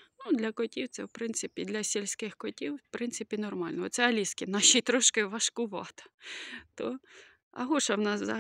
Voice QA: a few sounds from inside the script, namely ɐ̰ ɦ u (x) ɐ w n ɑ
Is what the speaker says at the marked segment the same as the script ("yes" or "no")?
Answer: no